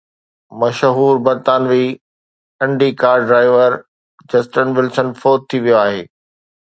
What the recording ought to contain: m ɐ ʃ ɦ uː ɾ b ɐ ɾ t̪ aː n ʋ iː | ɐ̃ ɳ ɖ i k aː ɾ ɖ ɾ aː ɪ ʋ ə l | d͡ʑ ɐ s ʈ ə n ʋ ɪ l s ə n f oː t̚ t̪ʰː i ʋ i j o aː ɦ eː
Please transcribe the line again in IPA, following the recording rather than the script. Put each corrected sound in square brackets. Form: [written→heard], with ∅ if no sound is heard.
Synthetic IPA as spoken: m ɐ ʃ ɦ uː ɾ b ɐ ɾ t̪ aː n ʋ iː | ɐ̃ ɳ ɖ i k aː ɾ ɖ ɾ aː ɪ ʋ ə [l→ɾ] | d͡ʑ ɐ s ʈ ə n ʋ ɪ l s ə n f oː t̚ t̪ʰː i ʋ i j o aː ɦ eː